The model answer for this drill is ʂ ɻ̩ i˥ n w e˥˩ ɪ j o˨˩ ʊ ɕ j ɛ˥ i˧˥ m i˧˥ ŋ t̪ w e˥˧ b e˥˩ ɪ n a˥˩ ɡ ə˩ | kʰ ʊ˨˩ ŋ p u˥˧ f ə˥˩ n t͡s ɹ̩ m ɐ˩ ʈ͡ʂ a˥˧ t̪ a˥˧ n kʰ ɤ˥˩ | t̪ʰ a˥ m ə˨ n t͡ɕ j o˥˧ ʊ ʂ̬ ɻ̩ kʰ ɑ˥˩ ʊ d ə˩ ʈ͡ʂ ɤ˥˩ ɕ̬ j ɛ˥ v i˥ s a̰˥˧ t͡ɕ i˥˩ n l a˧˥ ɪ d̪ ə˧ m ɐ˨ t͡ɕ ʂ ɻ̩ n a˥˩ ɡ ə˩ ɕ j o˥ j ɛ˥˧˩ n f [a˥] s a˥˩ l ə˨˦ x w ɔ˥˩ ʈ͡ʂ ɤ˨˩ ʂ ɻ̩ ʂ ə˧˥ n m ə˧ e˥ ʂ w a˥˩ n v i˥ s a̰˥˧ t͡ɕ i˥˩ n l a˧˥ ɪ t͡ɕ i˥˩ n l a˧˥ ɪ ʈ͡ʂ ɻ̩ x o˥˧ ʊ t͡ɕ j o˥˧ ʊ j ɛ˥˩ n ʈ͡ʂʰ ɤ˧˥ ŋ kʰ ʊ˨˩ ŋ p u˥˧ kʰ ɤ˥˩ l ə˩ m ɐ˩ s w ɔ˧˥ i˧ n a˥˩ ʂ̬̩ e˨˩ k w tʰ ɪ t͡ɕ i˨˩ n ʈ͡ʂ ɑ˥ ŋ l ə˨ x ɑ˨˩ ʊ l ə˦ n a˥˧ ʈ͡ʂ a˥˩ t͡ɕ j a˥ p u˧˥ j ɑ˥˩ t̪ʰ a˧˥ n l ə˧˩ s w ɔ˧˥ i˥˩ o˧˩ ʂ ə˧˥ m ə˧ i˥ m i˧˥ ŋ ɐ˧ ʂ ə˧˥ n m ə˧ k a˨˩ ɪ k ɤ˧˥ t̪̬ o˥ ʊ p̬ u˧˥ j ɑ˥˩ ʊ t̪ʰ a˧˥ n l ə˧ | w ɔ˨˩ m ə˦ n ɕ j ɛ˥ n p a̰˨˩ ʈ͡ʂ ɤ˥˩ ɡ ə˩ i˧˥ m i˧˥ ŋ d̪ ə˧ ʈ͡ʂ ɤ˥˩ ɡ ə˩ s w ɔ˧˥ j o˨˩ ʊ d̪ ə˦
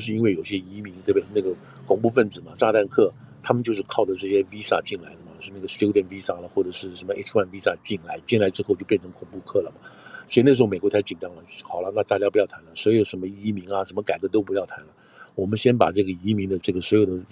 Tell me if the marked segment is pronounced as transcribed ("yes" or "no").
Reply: no